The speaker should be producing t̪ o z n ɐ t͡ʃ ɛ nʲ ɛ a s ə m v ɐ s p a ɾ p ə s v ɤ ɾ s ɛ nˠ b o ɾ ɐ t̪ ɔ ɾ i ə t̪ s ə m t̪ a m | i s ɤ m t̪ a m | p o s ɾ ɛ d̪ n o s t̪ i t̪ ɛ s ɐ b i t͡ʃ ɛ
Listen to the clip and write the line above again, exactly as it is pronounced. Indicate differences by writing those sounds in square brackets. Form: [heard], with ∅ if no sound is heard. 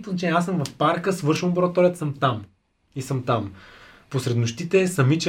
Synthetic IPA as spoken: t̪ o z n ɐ t͡ʃ ɛ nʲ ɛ a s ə m v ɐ [f] p a ɾ [k] ə s v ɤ ɾ [ʃ] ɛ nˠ b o ɾ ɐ t̪ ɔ ɾ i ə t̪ s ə m t̪ a m | i s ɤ m t̪ a m | p o s ɾ ɛ d̪ n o [ʃ] t̪ i t̪ ɛ s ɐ [m] i t͡ʃ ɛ